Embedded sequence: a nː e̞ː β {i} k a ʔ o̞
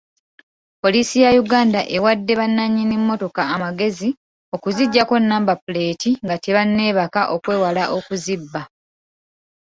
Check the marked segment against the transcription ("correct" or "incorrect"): incorrect